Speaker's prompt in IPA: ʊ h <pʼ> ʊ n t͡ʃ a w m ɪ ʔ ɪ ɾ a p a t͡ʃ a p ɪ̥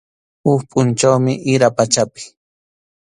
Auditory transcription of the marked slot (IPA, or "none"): pʼ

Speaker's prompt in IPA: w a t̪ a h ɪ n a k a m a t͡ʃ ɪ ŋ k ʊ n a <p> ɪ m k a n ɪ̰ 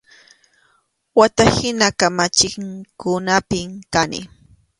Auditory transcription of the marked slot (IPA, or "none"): p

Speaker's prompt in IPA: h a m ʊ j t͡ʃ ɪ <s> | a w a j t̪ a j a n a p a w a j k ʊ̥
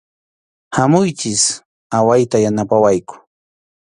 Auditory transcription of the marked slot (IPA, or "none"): s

